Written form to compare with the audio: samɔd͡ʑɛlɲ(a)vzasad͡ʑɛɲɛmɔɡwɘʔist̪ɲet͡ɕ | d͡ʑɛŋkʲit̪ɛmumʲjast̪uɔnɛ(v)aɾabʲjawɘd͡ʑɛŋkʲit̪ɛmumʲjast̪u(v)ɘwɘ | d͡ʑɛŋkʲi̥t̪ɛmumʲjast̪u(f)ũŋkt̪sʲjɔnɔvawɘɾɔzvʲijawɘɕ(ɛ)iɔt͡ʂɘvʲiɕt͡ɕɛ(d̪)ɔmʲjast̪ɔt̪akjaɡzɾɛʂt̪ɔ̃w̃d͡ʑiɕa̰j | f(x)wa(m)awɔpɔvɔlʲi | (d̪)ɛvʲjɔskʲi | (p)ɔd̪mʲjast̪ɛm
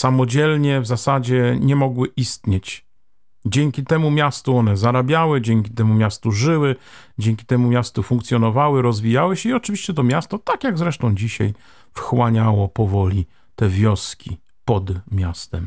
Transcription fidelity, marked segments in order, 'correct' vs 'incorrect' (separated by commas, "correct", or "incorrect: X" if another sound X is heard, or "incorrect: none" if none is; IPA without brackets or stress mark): incorrect: ɛ, incorrect: z, incorrect: ʐ, correct, correct, incorrect: t̪, correct, incorrect: ɲ, incorrect: t̪, correct